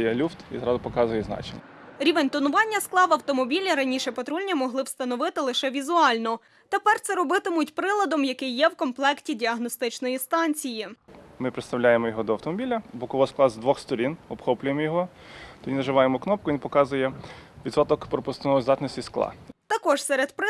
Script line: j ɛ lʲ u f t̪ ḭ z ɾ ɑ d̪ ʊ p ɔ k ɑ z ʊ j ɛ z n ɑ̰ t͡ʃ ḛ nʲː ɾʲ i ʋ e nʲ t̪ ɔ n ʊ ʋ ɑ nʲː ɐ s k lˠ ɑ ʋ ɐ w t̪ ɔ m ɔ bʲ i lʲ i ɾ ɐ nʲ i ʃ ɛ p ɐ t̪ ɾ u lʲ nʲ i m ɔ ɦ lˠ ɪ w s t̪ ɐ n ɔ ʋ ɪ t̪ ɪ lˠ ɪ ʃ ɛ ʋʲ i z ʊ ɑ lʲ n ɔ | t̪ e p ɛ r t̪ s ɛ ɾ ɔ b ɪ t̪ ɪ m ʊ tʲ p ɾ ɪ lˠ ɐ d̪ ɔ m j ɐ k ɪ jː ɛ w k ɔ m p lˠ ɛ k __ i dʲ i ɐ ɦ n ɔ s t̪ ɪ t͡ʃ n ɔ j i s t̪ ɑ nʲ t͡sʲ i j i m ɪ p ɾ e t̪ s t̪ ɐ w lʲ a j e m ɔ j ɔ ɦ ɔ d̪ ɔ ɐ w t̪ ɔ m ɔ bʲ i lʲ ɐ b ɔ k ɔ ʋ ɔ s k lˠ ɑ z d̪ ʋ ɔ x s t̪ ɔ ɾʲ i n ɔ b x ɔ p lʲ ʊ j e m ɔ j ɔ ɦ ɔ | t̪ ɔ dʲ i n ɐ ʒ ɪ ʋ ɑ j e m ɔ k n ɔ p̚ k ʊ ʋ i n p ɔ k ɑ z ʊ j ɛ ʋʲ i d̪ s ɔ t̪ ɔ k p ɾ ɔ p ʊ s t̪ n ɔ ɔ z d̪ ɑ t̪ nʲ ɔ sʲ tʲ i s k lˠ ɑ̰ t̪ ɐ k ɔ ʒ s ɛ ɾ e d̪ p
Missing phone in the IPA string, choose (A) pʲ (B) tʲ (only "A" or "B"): B